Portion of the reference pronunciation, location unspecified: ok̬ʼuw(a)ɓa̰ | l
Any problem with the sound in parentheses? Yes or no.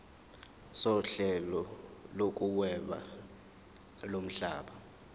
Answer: yes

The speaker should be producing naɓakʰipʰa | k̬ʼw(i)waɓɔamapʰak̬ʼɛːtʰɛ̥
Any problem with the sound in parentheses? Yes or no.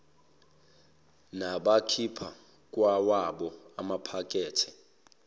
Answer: yes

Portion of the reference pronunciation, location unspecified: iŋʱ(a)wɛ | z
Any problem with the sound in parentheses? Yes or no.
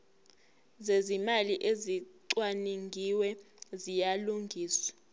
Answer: yes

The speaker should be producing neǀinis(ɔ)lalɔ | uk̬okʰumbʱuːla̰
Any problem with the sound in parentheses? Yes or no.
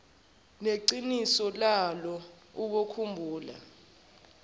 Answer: no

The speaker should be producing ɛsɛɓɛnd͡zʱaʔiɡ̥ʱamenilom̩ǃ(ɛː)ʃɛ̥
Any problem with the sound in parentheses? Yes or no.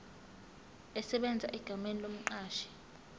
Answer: yes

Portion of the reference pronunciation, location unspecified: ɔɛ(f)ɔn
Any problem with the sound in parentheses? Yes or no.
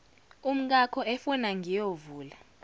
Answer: no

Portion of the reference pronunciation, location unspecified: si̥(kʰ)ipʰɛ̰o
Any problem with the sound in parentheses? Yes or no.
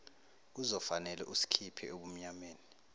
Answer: no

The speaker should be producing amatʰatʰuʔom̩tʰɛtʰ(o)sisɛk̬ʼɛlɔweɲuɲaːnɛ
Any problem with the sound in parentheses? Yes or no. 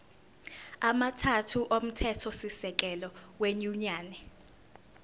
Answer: yes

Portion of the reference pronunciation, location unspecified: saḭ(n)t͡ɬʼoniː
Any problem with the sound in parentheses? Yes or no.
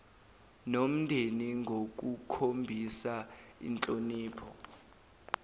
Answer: no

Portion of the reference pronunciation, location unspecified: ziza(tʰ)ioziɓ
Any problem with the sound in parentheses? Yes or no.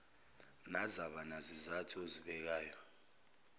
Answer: no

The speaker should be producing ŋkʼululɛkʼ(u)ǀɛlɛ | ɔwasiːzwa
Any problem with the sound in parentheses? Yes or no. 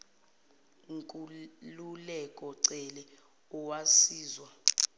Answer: yes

